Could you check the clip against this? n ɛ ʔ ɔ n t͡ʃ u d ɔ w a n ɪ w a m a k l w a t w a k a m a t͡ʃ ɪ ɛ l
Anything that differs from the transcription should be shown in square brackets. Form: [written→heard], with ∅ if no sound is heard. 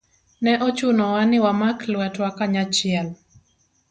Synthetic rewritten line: n ɛ ʔ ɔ [n→∅] t͡ʃ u [d→n] ɔ w a n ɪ w a m a k l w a t w a k a [m→ɲ] a t͡ʃ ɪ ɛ l